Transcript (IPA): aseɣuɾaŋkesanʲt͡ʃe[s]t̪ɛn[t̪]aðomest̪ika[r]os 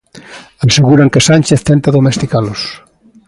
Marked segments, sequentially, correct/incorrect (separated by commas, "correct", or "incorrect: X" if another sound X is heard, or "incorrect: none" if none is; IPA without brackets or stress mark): incorrect: θ, correct, incorrect: l